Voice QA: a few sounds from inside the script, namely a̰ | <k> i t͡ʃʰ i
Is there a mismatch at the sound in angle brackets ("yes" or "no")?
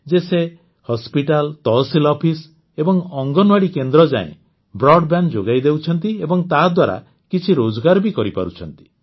no